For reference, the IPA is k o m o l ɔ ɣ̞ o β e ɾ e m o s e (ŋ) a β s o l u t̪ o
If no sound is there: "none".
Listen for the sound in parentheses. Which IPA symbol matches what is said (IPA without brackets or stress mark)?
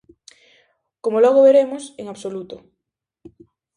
ŋ